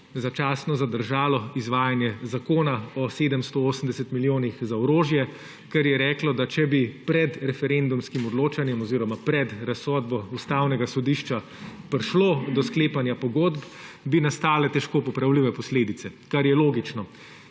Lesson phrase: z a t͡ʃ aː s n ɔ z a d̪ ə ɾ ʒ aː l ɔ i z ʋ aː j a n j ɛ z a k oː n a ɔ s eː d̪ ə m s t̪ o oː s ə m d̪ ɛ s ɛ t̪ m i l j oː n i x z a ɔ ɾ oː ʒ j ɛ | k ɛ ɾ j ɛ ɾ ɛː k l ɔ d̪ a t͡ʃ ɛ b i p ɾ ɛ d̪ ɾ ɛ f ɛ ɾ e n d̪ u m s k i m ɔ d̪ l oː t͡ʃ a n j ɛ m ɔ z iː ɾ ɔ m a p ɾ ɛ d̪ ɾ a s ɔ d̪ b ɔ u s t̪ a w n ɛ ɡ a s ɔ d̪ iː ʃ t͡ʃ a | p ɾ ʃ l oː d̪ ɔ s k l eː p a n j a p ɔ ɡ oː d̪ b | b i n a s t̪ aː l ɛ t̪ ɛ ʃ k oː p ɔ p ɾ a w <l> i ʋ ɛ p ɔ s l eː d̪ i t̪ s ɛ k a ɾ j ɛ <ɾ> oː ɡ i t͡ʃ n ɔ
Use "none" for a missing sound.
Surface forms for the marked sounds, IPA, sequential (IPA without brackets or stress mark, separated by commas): l, l